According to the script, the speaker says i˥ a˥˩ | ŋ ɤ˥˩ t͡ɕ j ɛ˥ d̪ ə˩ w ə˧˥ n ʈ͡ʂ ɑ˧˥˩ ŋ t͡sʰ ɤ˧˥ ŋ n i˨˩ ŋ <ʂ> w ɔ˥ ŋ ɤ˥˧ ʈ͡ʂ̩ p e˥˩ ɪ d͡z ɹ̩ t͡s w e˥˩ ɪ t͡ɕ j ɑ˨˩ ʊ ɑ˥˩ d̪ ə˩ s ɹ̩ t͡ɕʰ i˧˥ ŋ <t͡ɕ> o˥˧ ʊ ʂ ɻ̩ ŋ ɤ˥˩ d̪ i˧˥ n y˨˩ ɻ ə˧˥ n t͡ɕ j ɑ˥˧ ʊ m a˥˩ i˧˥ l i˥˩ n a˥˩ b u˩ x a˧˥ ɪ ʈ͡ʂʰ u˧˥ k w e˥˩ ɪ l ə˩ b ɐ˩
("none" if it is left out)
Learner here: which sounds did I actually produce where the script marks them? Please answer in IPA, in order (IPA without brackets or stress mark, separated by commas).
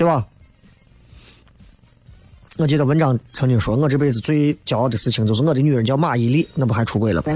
ʂ, t͡ɕ